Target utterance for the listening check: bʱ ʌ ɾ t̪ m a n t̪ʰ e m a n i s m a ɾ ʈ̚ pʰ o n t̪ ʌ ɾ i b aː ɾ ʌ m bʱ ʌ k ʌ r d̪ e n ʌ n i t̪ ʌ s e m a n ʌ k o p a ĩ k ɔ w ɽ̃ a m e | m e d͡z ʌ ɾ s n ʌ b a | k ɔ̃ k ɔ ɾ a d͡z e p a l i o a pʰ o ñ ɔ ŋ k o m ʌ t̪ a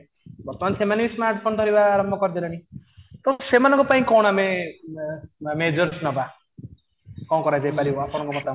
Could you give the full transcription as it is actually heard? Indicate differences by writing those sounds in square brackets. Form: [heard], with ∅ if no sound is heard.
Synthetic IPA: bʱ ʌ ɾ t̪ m a n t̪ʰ e m a n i s m a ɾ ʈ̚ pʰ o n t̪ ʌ ɾ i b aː ɾ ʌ m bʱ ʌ k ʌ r d̪ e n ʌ n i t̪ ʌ s e m a n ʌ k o p a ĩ k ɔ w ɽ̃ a m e | m e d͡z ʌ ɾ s n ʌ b a | k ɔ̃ k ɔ ɾ a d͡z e p a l i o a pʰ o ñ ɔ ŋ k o m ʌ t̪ a